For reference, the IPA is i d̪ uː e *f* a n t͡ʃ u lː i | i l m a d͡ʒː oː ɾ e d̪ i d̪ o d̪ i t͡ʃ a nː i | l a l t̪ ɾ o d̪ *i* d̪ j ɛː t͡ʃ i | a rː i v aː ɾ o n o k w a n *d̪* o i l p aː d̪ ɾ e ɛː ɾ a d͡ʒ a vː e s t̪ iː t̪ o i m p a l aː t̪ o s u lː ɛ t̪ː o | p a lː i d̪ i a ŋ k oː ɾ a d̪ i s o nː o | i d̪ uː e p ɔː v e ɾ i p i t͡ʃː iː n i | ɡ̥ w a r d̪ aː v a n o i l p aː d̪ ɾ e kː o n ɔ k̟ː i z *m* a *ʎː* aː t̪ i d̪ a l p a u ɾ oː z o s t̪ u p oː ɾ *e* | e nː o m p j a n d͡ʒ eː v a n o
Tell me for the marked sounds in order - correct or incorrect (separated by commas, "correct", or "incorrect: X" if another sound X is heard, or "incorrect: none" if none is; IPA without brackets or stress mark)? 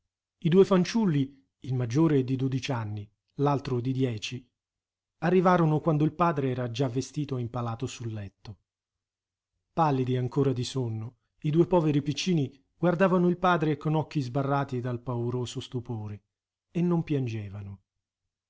correct, correct, correct, incorrect: b, incorrect: rː, correct